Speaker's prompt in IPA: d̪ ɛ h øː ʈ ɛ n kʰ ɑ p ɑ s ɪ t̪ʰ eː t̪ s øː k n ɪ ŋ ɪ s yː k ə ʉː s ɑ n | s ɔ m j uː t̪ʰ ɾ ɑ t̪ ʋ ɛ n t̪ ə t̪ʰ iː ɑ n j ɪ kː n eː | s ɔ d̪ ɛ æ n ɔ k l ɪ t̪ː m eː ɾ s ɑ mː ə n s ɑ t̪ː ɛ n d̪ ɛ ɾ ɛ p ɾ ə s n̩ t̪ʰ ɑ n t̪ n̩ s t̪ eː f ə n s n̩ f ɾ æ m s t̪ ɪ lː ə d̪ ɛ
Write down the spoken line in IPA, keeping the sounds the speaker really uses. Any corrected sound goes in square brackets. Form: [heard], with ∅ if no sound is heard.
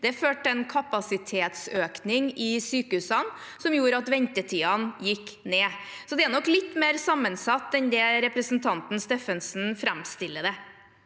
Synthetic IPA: d̪ ɛ [f] øː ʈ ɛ n kʰ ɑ p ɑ s ɪ t̪ʰ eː t̪ s øː k n ɪ ŋ ɪ s yː k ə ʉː s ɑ n | s ɔ m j uː [∅] ɾ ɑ t̪ ʋ ɛ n t̪ ə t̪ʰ iː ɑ n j ɪ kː n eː | s ɔ d̪ ɛ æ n ɔ k l ɪ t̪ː m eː ɾ s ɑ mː ə n s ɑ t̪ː ɛ n d̪ ɛ ɾ ɛ p ɾ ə s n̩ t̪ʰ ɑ n t̪ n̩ s t̪ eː f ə n s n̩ f ɾ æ m s t̪ ɪ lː ə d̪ ɛ